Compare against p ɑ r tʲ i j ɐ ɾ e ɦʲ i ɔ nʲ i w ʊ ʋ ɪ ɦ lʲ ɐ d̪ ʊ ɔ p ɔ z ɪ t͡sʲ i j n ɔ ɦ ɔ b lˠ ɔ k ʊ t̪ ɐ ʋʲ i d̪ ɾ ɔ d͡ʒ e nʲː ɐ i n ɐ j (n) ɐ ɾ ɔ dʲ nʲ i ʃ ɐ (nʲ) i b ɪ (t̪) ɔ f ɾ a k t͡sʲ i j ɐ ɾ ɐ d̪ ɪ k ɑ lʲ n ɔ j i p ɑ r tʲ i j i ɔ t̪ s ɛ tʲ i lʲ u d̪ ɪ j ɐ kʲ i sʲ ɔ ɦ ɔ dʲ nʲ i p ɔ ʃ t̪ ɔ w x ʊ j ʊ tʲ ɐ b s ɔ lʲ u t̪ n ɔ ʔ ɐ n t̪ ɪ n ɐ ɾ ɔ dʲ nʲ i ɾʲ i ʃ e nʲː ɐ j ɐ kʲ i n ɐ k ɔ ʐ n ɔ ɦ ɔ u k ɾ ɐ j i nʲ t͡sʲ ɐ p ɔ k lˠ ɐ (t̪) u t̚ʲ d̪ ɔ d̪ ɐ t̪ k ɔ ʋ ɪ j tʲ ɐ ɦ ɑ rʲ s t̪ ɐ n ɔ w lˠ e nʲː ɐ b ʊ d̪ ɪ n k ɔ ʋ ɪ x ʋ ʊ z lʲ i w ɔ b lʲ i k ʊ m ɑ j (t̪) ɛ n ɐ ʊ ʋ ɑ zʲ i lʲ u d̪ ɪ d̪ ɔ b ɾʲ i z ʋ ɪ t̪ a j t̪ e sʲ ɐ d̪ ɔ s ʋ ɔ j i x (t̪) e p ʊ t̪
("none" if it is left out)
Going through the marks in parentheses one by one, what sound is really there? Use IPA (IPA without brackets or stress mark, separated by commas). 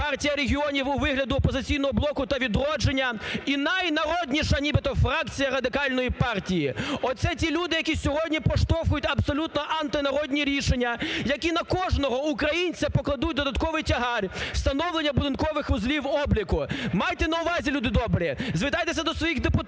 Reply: n, nʲ, t̪, d̪, t̪, d̪